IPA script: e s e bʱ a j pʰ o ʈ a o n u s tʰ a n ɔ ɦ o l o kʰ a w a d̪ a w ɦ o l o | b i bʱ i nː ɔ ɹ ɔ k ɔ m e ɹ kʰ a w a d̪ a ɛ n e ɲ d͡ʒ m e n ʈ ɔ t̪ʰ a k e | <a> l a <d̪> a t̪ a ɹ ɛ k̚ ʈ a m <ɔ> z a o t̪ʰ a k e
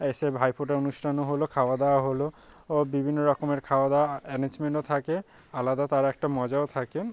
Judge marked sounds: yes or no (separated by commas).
yes, yes, yes